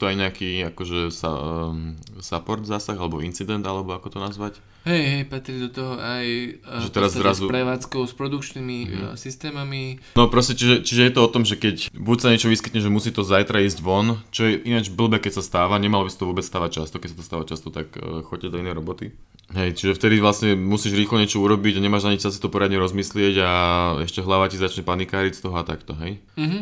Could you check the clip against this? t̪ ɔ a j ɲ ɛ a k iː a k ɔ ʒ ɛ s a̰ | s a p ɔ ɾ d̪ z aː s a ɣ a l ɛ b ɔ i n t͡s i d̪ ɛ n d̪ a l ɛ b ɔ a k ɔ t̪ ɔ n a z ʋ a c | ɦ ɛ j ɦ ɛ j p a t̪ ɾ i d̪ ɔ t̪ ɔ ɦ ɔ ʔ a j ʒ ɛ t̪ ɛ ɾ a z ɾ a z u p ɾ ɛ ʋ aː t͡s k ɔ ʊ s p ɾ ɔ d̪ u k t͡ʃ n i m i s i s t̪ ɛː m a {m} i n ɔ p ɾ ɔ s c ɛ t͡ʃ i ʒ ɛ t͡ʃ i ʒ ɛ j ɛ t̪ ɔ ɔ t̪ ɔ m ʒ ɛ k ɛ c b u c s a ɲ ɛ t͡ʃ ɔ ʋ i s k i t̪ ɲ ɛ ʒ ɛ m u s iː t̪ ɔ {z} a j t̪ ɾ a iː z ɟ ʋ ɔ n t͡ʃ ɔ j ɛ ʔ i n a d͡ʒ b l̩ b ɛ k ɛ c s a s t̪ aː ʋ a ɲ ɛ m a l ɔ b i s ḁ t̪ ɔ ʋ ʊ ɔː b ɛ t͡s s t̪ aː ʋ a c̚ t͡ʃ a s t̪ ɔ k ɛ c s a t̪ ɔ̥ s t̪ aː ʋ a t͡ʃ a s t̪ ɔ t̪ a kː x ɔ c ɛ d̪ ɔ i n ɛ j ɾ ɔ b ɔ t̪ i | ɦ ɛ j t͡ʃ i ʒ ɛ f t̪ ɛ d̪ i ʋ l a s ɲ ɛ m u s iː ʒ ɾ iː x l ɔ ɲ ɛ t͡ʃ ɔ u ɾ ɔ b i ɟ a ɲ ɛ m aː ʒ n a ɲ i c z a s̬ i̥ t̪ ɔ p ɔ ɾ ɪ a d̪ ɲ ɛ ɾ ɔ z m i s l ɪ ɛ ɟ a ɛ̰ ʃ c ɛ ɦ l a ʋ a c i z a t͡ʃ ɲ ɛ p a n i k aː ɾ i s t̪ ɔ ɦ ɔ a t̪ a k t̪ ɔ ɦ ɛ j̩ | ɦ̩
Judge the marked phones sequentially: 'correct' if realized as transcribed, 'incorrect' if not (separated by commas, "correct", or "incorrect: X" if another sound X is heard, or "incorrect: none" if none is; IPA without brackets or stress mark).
correct, correct